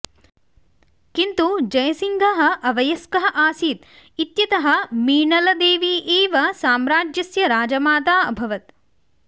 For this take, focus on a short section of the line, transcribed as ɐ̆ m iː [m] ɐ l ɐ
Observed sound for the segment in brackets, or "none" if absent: ɳ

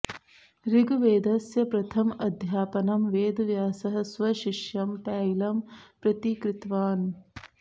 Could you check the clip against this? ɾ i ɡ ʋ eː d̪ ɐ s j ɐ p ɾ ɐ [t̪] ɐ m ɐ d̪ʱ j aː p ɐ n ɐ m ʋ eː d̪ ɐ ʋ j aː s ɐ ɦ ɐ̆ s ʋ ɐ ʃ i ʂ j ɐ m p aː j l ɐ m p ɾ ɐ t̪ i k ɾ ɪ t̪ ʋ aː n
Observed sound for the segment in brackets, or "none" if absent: t̪ʰ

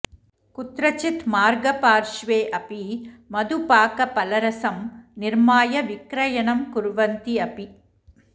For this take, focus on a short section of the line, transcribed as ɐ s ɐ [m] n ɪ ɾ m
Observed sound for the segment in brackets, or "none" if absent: m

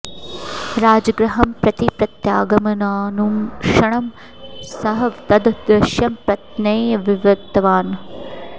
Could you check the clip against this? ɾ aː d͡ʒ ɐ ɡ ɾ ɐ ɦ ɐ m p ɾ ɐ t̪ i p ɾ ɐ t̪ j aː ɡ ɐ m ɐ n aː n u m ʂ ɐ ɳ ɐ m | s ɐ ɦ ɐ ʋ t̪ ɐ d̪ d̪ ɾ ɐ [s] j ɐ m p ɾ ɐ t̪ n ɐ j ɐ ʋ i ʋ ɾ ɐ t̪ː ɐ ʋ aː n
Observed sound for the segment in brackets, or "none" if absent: ʃ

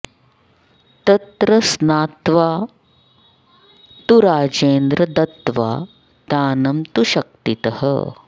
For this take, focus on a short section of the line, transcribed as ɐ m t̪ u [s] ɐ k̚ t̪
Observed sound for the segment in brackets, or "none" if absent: ʃ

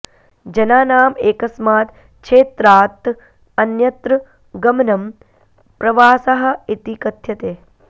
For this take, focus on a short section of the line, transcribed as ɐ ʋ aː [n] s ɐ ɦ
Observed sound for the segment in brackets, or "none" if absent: none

